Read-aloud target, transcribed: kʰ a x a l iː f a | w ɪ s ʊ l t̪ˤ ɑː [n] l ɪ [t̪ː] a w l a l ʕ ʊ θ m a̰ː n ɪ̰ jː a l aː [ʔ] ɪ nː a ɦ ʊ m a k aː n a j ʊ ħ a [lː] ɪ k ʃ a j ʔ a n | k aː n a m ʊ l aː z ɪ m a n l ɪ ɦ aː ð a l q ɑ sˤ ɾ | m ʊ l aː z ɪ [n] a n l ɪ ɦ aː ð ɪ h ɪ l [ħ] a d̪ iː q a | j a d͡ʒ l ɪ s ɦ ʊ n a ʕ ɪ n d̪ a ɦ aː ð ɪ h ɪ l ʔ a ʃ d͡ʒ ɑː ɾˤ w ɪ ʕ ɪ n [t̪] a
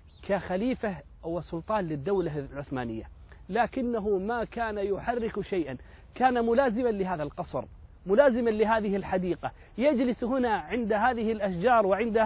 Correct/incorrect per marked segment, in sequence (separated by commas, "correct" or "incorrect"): correct, incorrect, incorrect, incorrect, incorrect, correct, incorrect